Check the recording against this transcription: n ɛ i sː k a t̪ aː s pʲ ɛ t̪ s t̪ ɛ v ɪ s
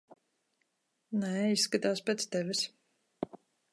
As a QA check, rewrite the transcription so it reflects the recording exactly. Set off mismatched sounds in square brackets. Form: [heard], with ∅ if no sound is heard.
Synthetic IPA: n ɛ i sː k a t̪ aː s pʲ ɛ t̪ s t̪ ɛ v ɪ s